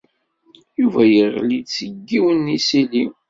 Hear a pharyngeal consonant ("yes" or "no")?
no